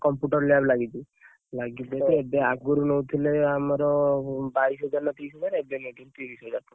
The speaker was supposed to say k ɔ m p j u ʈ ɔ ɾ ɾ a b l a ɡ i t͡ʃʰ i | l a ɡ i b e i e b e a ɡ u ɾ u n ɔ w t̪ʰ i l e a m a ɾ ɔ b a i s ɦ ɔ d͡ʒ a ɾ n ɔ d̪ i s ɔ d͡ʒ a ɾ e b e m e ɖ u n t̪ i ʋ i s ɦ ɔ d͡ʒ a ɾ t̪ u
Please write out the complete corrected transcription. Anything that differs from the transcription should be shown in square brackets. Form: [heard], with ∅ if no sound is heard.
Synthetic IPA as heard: k ɔ m p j u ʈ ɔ ɾ [l] a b l a ɡ i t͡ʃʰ i | l a ɡ i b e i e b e a ɡ u ɾ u n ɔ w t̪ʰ i l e a m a ɾ ɔ b a i s ɦ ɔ d͡ʒ a ɾ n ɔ [t̪] i s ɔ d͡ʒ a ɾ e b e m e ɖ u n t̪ i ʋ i s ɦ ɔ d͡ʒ a ɾ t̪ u

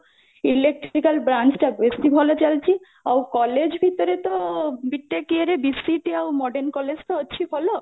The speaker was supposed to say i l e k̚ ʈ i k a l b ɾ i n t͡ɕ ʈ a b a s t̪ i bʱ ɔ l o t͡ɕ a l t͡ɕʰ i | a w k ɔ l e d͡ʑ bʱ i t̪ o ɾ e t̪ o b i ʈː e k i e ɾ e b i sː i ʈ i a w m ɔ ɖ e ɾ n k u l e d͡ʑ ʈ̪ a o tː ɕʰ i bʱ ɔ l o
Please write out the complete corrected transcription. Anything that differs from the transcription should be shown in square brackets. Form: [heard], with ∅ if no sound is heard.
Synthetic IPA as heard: i l e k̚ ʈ i k a l b ɾ [a] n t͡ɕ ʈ a b [e] s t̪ i bʱ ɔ l o t͡ɕ a l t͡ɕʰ i | a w k ɔ l e d͡ʑ bʱ i t̪ o ɾ e t̪ o b i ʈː e k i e ɾ e b i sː i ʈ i a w m ɔ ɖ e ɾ n k [ɔ] l e d͡ʑ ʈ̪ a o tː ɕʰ i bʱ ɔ l o

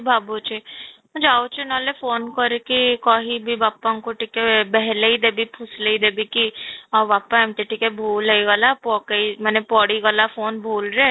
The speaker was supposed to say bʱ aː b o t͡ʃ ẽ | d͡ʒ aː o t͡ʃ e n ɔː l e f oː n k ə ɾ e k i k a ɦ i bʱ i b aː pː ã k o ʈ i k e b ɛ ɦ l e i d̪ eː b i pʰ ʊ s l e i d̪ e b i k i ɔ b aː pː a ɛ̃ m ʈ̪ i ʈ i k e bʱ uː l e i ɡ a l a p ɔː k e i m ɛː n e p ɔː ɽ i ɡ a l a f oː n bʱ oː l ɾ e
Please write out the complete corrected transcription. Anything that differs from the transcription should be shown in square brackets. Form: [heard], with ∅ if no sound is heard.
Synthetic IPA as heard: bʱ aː b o t͡ʃ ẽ | d͡ʒ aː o t͡ʃ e n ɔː l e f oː n k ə ɾ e k i k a ɦ i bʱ i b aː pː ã k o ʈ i k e b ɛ ɦ l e i d̪ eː b i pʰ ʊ s l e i d̪ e b i k i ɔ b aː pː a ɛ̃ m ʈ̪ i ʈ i k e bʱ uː l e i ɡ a l a p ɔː k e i m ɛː n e p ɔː ɽ i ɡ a l a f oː n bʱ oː l ɾ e

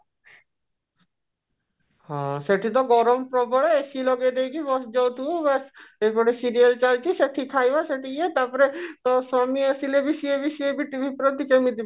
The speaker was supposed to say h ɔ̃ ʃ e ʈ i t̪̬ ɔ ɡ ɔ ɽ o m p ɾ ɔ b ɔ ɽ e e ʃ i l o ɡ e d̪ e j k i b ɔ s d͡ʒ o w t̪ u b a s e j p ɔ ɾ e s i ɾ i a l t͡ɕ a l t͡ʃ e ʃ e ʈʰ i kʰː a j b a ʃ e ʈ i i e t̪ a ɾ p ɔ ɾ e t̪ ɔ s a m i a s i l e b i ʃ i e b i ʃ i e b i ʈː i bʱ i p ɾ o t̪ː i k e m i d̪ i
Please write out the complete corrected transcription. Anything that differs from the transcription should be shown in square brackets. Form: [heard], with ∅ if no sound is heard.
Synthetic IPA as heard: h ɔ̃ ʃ e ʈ i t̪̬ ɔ ɡ ɔ [ɾ] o m p ɾ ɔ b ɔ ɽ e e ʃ i l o ɡ e d̪ e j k i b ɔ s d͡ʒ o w t̪ u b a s e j p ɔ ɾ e s i ɾ i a l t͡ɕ a l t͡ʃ [i] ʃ e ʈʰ i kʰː a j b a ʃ e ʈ i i e t̪ a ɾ p ɔ ɾ e t̪ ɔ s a m i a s i l e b i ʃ i e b i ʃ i e b i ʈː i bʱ i p ɾ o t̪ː i k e m i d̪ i

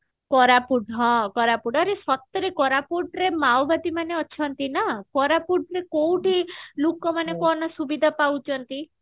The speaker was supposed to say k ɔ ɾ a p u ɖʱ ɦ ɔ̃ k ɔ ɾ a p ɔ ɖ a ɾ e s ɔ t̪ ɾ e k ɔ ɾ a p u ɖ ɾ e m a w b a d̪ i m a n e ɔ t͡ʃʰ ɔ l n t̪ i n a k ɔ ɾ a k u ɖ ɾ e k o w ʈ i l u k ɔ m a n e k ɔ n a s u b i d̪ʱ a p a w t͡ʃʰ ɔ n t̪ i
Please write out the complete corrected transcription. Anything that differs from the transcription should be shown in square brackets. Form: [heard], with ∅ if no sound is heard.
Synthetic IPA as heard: k ɔ ɾ a p u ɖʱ ɦ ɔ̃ k ɔ ɾ a p [u] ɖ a ɾ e s ɔ t̪ ɾ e k ɔ ɾ a p u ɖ ɾ e m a w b a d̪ i m a n e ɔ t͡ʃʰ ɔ [∅] n t̪ i n a k ɔ ɾ a [p] u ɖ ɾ e k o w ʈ i l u k ɔ m a n e k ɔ n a s u b i d̪ʱ a p a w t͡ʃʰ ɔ n t̪ i

